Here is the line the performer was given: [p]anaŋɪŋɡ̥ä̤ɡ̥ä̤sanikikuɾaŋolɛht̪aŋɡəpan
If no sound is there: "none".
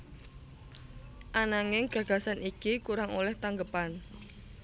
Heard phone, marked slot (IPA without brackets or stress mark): ʔ